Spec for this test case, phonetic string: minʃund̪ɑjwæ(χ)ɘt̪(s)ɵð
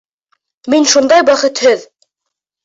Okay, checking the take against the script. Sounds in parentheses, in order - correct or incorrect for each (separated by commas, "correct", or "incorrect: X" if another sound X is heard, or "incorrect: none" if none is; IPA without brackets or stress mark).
correct, incorrect: h